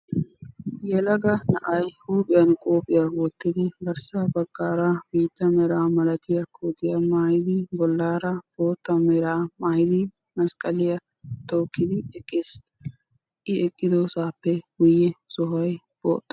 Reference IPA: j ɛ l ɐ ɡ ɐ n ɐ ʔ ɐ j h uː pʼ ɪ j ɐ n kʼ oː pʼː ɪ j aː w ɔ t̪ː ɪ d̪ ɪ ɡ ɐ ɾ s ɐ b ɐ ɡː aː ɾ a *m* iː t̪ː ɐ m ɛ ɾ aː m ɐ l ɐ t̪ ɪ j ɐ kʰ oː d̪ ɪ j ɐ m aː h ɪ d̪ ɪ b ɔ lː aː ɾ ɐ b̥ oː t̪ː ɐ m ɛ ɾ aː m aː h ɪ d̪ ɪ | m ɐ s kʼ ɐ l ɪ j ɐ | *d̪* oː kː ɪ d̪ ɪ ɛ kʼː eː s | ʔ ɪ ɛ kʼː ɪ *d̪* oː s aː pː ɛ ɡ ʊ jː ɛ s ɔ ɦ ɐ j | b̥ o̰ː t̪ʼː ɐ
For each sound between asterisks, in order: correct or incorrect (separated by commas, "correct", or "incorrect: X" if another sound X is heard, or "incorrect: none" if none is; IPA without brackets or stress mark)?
incorrect: b, incorrect: t̪, correct